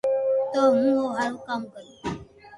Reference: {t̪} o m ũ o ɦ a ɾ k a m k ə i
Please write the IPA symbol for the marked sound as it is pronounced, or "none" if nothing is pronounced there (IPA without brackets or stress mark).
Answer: t̪